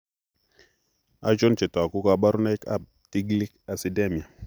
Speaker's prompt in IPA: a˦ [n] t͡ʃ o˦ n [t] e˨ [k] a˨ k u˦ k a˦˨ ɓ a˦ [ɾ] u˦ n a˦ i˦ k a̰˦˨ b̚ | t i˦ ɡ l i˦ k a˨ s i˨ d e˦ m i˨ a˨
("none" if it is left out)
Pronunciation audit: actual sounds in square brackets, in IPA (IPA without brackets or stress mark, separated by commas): none, t͡ʃ, t, ɾ